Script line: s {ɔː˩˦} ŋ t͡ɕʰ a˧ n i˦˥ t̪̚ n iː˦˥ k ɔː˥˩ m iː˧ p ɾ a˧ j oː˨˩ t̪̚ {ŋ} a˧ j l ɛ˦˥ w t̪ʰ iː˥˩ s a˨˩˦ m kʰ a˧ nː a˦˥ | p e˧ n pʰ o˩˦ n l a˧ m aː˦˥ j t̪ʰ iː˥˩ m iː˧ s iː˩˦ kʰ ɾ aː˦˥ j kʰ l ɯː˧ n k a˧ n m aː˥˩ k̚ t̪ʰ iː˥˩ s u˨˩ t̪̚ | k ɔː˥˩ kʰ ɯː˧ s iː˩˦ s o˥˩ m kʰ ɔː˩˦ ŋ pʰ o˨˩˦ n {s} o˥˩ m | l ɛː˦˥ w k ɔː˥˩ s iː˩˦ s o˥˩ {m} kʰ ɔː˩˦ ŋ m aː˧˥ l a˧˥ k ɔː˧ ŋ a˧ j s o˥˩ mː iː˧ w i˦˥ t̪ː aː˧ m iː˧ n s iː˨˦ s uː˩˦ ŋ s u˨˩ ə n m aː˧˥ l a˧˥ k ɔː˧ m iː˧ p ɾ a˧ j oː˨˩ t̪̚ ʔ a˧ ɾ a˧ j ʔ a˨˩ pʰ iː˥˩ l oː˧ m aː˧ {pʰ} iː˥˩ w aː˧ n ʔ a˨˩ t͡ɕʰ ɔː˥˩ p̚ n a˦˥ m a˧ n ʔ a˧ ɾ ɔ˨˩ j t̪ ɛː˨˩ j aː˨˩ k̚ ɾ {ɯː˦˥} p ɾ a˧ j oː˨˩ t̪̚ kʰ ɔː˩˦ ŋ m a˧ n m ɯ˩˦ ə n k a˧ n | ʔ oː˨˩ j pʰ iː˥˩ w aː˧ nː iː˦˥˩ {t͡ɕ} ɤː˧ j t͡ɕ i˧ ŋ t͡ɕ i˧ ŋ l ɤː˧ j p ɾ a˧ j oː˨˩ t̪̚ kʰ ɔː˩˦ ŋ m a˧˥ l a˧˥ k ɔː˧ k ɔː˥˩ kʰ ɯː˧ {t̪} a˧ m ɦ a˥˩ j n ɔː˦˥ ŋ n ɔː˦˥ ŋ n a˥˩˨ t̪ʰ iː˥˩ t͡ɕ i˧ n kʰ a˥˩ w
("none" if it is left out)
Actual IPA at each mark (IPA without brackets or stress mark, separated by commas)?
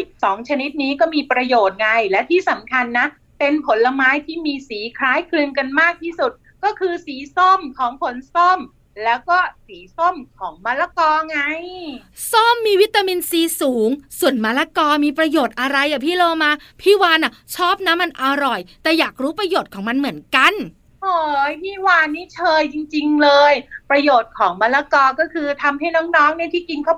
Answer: ɔː˩˦, ŋ, s, m, pʰ, uː˦˥, t͡ɕʰ, t̪ʰ